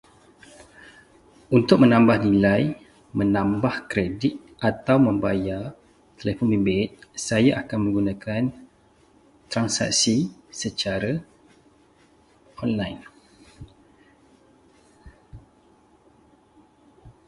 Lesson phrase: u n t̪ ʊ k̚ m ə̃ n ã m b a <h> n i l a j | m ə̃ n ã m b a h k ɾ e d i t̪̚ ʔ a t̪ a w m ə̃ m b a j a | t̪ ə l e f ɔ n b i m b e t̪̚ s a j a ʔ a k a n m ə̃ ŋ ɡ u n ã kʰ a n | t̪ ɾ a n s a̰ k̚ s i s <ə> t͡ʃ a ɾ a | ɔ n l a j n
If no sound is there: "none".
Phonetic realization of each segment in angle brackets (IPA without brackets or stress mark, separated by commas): h, ə